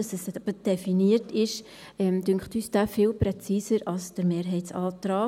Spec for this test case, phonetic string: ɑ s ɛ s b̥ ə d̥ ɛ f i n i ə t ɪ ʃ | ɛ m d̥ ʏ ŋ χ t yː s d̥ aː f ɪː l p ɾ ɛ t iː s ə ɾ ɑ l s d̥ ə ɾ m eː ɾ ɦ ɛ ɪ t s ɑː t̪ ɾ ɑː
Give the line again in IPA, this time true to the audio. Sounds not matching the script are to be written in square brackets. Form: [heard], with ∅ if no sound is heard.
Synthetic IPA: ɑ s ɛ s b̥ ə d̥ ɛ f i n i ə t ɪ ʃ | ɛ m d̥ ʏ ŋ χ t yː s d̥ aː f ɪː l p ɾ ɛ [t͡s] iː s ə ɾ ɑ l s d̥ ə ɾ m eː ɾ ɦ ɛ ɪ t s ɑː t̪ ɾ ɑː